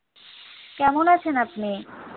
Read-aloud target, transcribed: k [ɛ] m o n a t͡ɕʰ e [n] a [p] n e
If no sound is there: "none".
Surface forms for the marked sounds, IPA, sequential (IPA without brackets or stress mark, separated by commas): ɛ, n, p